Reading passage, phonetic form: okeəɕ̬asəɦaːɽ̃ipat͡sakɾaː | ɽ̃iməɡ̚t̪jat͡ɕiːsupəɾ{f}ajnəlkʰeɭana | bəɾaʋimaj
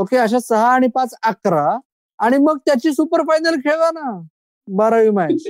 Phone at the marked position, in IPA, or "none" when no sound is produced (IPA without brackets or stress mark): f